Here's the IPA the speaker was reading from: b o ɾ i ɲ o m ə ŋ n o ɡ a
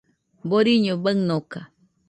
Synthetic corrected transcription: b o ɾ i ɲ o b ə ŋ n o k a